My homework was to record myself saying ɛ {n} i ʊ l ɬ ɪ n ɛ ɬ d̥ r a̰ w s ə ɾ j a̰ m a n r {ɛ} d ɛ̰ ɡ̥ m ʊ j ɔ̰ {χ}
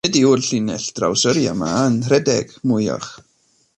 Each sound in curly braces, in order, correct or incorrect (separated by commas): incorrect, correct, correct